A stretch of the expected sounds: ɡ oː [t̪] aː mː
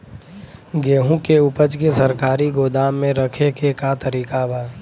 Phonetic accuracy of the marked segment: incorrect: d̪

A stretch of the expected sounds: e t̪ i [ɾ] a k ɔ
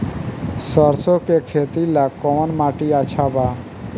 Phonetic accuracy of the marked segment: incorrect: l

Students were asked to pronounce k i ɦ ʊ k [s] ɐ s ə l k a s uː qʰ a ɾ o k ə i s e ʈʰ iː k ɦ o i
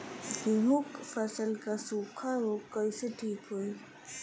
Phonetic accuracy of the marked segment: incorrect: f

